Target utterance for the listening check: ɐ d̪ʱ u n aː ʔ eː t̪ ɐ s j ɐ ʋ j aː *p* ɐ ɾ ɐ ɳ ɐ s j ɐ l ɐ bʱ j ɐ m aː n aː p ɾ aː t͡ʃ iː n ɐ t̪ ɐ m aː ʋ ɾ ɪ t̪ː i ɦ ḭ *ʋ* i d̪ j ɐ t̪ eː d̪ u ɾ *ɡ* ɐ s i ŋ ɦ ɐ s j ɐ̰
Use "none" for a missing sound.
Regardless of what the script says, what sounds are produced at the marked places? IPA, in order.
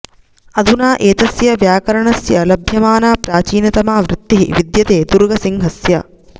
k, ʋ, ɡ

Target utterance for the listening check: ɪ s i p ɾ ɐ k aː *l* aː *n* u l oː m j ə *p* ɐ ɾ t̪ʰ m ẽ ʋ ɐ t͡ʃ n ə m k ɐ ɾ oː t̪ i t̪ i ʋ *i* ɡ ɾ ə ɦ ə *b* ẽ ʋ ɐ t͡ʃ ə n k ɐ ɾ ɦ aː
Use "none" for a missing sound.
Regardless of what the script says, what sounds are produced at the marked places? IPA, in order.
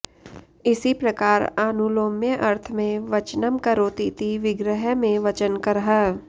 ɾ, n, ʔ, ɪ, m

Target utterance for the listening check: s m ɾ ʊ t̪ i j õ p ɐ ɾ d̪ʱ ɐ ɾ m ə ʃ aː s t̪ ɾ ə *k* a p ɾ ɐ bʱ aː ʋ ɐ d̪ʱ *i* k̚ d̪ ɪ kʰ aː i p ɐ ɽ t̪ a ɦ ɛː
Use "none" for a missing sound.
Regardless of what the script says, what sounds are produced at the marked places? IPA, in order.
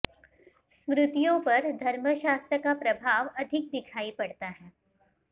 k, ɪ

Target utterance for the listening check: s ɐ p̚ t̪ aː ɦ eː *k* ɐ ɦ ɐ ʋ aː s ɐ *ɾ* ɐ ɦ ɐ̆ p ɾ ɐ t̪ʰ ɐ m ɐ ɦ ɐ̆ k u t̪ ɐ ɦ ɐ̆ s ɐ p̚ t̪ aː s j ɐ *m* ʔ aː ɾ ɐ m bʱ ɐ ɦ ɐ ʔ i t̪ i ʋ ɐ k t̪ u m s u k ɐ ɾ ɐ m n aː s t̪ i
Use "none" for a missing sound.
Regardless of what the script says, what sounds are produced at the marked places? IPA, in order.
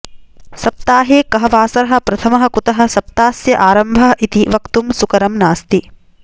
k, ɾ, none

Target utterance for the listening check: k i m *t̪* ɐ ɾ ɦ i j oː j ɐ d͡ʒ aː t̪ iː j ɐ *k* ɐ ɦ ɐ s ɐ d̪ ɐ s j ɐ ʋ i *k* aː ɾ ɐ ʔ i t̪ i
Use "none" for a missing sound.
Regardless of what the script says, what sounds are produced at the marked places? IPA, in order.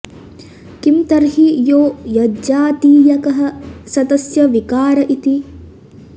t̪, k, k

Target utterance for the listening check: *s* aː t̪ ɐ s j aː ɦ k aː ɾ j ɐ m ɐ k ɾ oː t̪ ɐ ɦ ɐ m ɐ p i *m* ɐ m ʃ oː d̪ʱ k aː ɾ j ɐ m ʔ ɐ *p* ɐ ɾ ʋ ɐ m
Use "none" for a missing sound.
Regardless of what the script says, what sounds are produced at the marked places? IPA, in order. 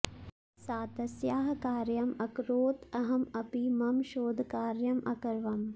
s, m, k

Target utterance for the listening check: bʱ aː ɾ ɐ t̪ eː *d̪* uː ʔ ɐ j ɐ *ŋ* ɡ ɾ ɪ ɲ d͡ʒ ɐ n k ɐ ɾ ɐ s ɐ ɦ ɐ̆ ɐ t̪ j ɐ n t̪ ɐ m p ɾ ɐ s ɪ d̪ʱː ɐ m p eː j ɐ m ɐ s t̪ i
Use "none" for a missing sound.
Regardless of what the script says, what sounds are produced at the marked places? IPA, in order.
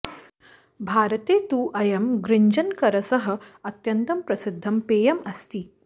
t̪, m

